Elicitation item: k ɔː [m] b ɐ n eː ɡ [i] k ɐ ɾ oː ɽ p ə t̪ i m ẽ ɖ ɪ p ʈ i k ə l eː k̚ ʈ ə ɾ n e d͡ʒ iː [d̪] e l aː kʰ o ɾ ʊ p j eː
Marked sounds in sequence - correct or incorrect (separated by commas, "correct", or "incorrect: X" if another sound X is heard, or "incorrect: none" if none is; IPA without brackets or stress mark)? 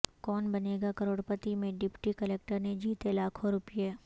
incorrect: n, incorrect: a, incorrect: t̪